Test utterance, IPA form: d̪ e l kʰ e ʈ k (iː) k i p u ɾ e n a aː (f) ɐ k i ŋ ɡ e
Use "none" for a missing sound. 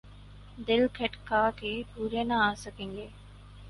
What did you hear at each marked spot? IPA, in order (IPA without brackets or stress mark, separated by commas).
aː, s